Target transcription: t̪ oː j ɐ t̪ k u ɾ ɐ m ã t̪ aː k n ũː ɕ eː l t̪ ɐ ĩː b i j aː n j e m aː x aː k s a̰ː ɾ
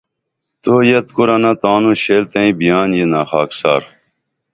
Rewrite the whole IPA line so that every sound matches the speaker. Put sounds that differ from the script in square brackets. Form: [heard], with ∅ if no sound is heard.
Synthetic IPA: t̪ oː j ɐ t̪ k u ɾ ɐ [n] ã t̪ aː [∅] n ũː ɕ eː l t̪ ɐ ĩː b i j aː n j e [n] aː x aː k s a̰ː ɾ